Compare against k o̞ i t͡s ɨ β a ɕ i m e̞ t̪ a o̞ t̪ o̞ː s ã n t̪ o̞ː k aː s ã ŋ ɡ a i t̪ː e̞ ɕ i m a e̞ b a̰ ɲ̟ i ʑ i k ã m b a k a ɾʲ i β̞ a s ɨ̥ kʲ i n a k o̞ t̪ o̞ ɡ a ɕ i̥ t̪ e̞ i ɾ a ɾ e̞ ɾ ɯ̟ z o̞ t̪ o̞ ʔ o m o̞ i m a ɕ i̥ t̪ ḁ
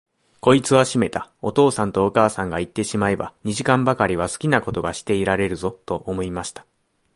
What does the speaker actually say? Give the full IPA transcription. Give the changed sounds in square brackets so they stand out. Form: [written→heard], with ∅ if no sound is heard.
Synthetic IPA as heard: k o̞ i t͡s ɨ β a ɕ i m e̞ t̪ a o̞ t̪ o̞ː s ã n t̪ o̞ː k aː s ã ŋ ɡ a i t̪ː e̞ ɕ i m a e̞ b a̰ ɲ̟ i ʑ i k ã m b a k a ɾʲ i β̞ a s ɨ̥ kʲ i n a k o̞ t̪ o̞ ɡ a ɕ i̥ t̪ e̞ i ɾ a ɾ e̞ ɾ ɯ̟ z o̞ t̪ o̞ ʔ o m o̞ i m a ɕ i̥ t̪ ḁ

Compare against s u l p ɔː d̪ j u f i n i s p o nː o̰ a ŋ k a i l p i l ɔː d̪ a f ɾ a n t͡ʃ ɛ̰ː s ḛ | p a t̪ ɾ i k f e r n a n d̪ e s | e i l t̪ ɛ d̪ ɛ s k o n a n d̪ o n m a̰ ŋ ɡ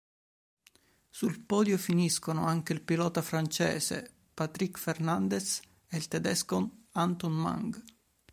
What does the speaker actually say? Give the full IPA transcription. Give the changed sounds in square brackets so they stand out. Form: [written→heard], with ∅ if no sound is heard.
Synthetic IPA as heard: s u l p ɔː d̪ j [u→o] f i n i s [p→k] o [nː→n] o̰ a ŋ k [a→e] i l p i l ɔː [d̪→t̪] a f ɾ a n t͡ʃ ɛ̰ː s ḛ | p a t̪ ɾ i k f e r n a n d̪ e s | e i l t̪ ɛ d̪ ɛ s k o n a n [d̪→t̪] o n m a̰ ŋ ɡ

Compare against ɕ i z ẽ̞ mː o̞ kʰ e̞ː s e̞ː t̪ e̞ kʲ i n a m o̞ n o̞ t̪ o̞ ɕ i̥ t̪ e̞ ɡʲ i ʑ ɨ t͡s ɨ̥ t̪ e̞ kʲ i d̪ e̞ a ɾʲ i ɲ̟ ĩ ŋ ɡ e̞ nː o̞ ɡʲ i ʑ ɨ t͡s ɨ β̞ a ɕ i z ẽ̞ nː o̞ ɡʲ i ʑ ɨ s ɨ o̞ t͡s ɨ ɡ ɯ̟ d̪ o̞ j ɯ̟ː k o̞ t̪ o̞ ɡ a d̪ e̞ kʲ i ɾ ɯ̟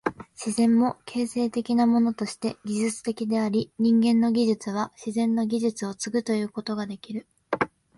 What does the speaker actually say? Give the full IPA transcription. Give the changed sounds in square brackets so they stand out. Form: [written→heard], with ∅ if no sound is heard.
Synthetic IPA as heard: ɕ i z ẽ̞ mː o̞ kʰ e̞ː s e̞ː t̪ e̞ kʲ i n a m o̞ n o̞ t̪ o̞ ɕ i̥ t̪ e̞ ɡʲ i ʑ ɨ t͡s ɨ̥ t̪ e̞ kʲ i d̪ e̞ a ɾʲ i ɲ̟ ĩ ŋ ɡ [e̞→ẽ̞] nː o̞ ɡʲ i ʑ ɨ t͡s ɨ β̞ a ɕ i z ẽ̞ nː o̞ ɡʲ i ʑ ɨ [s→t͡s] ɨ o̞ t͡s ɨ ɡ ɯ̟ [d̪→t̪] o̞ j ɯ̟ː k o̞ t̪ o̞ ɡ a d̪ e̞ kʲ i ɾ ɯ̟

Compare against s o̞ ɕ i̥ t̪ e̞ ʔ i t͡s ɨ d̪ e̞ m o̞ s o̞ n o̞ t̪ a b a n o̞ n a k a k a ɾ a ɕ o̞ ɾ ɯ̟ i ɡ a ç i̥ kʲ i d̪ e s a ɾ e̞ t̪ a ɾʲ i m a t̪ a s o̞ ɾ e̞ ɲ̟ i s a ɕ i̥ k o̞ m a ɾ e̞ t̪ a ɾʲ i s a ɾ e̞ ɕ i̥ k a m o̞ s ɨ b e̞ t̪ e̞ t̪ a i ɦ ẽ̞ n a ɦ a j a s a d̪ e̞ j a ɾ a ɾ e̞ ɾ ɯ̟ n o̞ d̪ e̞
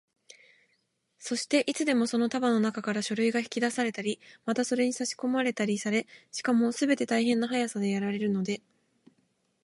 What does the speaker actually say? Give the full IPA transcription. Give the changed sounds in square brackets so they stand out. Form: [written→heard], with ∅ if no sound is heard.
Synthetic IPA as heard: s o̞ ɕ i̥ t̪ e̞ ʔ i t͡s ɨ d̪ e̞ m o̞ s o̞ n o̞ t̪ a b a n o̞ n a k a k a ɾ a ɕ o̞ ɾ ɯ̟ i ɡ a ç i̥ kʲ i d̪ [e→a] s a ɾ e̞ t̪ a ɾʲ i m a t̪ a s o̞ ɾ e̞ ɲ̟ i s a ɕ i̥ k o̞ m a ɾ e̞ t̪ a ɾʲ i s a ɾ e̞ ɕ i̥ k a m o̞ s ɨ b e̞ t̪ e̞ t̪ a i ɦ ẽ̞ [n→nː] a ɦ a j a s a d̪ e̞ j a ɾ a ɾ e̞ ɾ ɯ̟ n o̞ d̪ e̞

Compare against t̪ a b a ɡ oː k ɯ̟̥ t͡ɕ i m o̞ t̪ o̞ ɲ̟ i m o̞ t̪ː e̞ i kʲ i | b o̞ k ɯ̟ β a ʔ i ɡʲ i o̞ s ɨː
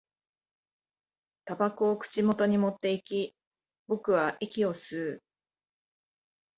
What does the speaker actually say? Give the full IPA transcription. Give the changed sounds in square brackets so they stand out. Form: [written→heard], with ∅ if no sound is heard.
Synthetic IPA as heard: t̪ a b a [ɡ→k] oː k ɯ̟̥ t͡ɕ i m o̞ t̪ o̞ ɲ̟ i m o̞ t̪ː e̞ i kʲ i | b o̞ k ɯ̟ β a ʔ i [ɡʲ→kʲ] i o̞ s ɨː

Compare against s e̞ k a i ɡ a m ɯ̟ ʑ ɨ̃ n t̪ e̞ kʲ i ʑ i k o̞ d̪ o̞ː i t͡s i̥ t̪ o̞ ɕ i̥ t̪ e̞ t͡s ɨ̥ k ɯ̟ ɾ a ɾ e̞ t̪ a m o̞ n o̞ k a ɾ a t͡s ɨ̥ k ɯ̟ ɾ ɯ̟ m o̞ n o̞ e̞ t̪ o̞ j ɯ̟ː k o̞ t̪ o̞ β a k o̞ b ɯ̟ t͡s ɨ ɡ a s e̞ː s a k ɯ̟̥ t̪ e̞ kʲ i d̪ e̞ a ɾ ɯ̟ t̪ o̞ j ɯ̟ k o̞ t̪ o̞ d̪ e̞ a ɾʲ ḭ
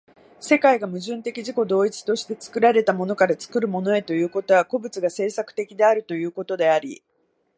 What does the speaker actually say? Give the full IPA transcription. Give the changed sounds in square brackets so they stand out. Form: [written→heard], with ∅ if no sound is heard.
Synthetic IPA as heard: s e̞ k a i ɡ a m ɯ̟ ʑ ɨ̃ n t̪ e̞ kʲ i ʑ i k o̞ d̪ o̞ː i t͡s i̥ t̪ o̞ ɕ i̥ t̪ e̞ t͡s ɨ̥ k ɯ̟ ɾ a ɾ e̞ t̪ a m o̞ n o̞ k a ɾ a t͡s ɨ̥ k ɯ̟ ɾ ɯ̟ m o̞ n o̞ e̞ t̪ o̞ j ɯ̟ː k o̞ t̪ o̞ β a k o̞ b ɯ̟ t͡s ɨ ɡ a s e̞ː s a k ɯ̟̥ t̪ e̞ kʲ i d̪ e̞ a ɾ ɯ̟ t̪ o̞ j [ɯ̟→ɯ̟ː] k o̞ t̪ o̞ d̪ e̞ a ɾʲ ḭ

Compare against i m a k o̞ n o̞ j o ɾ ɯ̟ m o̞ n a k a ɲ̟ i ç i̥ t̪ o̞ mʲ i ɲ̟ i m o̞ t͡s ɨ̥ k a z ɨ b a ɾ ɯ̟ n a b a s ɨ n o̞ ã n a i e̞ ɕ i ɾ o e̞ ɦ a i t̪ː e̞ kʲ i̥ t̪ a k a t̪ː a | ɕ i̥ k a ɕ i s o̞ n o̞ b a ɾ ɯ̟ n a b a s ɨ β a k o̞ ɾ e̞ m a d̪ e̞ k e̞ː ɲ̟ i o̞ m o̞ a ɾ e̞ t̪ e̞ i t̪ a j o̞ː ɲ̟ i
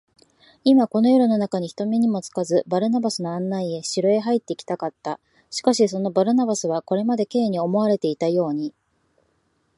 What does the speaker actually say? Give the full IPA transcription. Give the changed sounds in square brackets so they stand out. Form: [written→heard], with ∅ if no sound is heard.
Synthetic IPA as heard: i m a k o̞ n o̞ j o ɾ ɯ̟ [m→n] o̞ n a k a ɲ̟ i ç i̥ t̪ o̞ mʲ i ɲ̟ i m o̞ t͡s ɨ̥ k a z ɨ b a ɾ ɯ̟ n a b a s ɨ n o̞ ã [n→nː] a i e̞ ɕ i ɾ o e̞ ɦ a i t̪ː e̞ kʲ i̥ t̪ a k a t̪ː a | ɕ i̥ k a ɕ i s o̞ n o̞ b a ɾ ɯ̟ n a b a s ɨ β a k o̞ ɾ e̞ m a d̪ e̞ k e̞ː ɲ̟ i o̞ m o̞ a ɾ e̞ t̪ e̞ i t̪ a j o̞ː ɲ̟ i

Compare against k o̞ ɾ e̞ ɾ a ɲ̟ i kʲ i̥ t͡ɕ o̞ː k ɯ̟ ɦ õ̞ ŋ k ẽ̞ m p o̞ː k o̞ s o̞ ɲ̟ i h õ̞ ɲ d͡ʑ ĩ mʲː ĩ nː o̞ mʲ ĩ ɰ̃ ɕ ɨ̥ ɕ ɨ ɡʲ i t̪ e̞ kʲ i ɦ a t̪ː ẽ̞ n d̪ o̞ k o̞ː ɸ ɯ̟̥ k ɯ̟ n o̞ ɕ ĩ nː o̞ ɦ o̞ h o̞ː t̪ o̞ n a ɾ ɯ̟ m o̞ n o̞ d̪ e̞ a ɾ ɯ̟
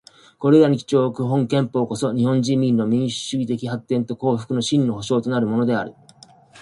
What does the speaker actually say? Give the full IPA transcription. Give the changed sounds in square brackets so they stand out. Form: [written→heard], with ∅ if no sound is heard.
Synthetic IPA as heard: k o̞ ɾ e̞ ɾ a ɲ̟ i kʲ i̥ t͡ɕ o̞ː k ɯ̟ ɦ õ̞ ŋ k ẽ̞ m p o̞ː k o̞ s o̞ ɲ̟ i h õ̞ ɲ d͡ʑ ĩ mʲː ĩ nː o̞ mʲ ĩ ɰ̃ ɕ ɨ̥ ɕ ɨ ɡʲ i t̪ e̞ kʲ i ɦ a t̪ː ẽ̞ n [d̪→t̪] o̞ k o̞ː ɸ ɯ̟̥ k ɯ̟ n o̞ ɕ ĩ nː o̞ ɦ o̞ [h→ɕ] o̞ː t̪ o̞ n a ɾ ɯ̟ m o̞ n o̞ d̪ e̞ a ɾ ɯ̟

